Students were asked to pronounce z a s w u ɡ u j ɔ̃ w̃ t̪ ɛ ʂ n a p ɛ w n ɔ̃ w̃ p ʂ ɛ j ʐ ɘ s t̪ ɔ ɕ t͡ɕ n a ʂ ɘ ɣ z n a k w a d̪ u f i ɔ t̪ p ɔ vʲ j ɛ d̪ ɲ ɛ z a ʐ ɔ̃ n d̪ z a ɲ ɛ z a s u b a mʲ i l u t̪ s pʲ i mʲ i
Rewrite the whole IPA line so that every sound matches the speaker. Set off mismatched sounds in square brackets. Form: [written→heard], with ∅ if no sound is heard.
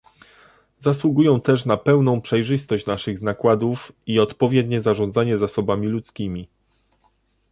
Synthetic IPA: z a s w u ɡ u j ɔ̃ w̃ t̪ ɛ ʂ n a p ɛ w n ɔ̃ w̃ p ʂ ɛ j ʐ ɘ s t̪ ɔ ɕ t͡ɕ n a ʂ ɘ ɣ z n a k w a d̪ u f i ɔ t̪ p ɔ vʲ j ɛ d̪ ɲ ɛ z a ʐ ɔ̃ n d̪ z a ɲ ɛ z a s [u→ɔ] b a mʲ i l u t̪ s [pʲ→kʲ] i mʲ i